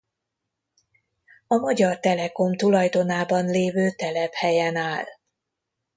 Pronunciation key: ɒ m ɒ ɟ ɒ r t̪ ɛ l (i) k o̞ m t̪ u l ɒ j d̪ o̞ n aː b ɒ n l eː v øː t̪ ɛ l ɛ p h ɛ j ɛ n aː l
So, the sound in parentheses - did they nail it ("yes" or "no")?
no